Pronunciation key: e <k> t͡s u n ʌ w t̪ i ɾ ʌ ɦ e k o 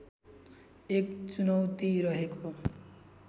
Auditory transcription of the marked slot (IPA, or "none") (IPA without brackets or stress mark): k